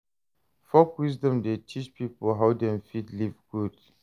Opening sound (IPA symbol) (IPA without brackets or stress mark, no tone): f